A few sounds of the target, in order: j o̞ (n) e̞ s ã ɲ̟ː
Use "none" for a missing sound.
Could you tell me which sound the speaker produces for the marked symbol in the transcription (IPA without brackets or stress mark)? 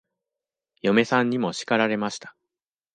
m